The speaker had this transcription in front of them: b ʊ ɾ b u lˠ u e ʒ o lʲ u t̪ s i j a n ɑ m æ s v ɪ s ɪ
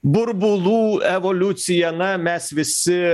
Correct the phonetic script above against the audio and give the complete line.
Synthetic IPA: b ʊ ɾ b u lˠ u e v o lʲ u t̪ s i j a n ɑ m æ s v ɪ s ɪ